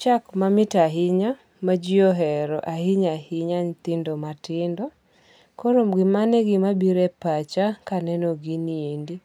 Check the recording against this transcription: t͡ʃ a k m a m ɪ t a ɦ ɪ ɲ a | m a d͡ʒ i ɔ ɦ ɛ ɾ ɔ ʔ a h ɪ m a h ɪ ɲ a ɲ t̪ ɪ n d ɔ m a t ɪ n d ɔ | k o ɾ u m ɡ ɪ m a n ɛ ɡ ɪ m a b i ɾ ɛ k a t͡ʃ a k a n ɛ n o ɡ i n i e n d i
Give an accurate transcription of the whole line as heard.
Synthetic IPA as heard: t͡ʃ a k m a m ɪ t a ɦ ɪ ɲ a | m a d͡ʒ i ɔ ɦ ɛ ɾ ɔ ʔ a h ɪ ɲ a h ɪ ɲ a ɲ t̪ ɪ n d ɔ m a t ɪ n d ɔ | k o ɾ o m ɡ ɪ m a n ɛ ɡ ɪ m a b i ɾ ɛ p a t͡ʃ a k a n ɛ n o ɡ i n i e n d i